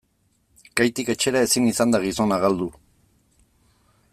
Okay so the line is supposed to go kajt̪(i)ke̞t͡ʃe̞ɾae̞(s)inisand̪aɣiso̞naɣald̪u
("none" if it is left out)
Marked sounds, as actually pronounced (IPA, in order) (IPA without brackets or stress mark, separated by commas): i, s